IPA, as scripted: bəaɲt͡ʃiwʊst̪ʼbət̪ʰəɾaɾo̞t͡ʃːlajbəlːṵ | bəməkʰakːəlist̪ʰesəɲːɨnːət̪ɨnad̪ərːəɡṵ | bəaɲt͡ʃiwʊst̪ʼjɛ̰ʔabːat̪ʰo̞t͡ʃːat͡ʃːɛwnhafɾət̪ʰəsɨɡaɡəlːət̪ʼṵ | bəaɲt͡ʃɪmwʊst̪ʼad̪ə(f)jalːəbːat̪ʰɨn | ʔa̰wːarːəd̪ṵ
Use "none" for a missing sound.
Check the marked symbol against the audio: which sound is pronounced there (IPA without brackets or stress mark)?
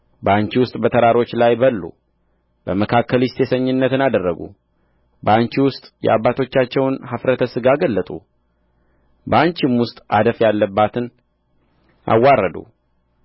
f